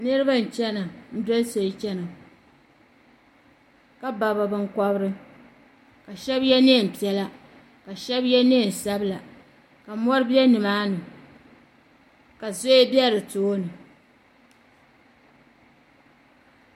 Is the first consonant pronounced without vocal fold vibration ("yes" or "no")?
no